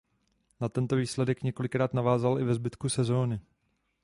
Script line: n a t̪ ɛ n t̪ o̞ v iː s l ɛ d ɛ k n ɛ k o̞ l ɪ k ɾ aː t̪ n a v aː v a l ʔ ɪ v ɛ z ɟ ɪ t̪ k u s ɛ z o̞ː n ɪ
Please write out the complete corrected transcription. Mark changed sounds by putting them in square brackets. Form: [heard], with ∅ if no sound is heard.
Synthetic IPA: n a t̪ ɛ n t̪ o̞ v iː s l ɛ d ɛ k [ɲ] ɛ k o̞ l ɪ k ɾ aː t̪ n a v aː [z] a l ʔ ɪ v ɛ z [b] ɪ t̪ k u s ɛ z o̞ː n ɪ

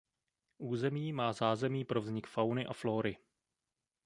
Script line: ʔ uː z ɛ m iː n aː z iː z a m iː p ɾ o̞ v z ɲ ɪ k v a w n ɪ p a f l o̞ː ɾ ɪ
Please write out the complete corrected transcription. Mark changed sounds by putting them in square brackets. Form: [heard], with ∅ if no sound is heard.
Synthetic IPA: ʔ uː z ɛ m iː [m] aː z [aː] z [ɛ] m iː p ɾ o̞ v z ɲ ɪ k [f] a w n ɪ [ʔ] a f l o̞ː ɾ ɪ

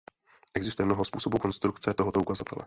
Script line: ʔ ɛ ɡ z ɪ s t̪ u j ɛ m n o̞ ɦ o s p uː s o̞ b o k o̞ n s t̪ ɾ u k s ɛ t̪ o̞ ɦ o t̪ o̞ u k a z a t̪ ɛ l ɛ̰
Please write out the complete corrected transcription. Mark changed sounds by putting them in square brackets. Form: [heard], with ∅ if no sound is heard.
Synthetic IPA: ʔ ɛ ɡ z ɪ s t̪ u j ɛ m n o̞ ɦ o s p uː s o̞ b [u] k o̞ n s t̪ ɾ u k [t͡s] ɛ t̪ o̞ ɦ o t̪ o̞ u k a z a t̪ ɛ l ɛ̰

